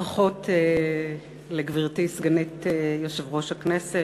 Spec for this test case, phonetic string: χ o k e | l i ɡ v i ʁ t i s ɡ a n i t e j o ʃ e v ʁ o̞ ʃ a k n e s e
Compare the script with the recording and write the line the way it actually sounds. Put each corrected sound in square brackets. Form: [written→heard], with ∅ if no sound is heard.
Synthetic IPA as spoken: χ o [k→t] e | l [i→e] ɡ v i ʁ t i s ɡ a n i t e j o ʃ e v ʁ o̞ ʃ a k n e s e